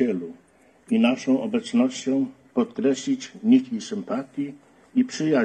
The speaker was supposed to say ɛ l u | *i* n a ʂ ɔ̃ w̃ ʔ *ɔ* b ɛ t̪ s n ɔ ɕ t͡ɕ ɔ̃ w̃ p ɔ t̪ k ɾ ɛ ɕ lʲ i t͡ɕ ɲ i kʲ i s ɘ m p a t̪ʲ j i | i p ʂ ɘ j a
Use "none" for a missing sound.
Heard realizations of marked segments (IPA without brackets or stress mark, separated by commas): i, ɔ